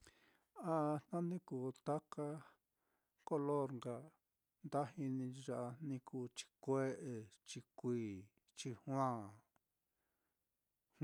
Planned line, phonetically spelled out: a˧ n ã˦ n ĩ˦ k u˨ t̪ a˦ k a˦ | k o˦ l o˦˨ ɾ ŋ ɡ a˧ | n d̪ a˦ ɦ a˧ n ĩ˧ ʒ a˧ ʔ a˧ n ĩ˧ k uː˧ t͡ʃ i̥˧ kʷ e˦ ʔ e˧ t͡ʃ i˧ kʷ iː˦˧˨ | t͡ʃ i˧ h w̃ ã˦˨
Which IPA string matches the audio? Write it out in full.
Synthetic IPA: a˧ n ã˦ n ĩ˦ k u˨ t̪ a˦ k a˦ | k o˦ l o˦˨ ɾ ŋ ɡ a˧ | n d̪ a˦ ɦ i˧ n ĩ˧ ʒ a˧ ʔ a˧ n ĩ˧ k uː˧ t͡ʃ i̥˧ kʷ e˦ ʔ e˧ t͡ʃ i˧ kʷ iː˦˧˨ | t͡ʃ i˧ h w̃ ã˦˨

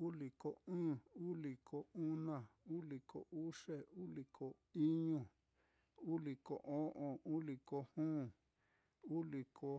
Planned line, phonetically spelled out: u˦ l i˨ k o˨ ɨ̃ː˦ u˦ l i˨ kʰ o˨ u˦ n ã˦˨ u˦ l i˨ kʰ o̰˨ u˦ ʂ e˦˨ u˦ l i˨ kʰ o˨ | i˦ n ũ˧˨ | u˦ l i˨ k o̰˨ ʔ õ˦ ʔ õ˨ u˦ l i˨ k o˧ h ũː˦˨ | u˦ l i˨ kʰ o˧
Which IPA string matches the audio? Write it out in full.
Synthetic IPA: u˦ l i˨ k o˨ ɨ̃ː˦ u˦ l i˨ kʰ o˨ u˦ n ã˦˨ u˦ l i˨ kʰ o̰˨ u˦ ʂ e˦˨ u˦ l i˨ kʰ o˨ | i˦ ɲ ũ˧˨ | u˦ l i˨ k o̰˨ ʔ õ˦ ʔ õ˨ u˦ l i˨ k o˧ h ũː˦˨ | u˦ l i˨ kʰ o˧

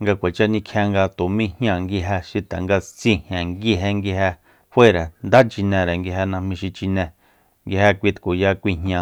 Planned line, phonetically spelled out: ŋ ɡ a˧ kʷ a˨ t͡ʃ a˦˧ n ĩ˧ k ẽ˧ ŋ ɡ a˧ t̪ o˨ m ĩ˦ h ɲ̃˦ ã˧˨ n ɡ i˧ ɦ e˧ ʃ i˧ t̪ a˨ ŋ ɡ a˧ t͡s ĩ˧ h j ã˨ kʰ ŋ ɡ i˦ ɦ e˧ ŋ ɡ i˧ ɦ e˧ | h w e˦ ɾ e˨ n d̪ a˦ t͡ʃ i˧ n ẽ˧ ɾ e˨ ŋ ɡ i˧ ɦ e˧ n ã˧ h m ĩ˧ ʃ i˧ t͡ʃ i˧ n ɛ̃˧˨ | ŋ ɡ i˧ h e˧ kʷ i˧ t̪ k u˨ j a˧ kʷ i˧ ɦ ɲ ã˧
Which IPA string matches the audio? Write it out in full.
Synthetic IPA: ŋ ɡ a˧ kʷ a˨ t͡ʃ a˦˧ n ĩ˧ kʰ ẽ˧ ŋ ɡ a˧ t̪ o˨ m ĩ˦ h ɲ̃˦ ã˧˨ ŋ ɡ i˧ ɦ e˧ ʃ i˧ t̪ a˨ ŋ ɡ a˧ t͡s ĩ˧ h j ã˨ ŋ ɡ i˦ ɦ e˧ ŋ ɡ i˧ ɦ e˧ | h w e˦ ɾ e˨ n d̪ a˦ t͡ʃ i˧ n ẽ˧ ɾ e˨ ŋ ɡ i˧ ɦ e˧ n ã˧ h m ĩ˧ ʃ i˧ t͡ʃ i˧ n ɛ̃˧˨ | ŋ ɡ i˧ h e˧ kʷ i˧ t̪ k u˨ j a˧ kʷ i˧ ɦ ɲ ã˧

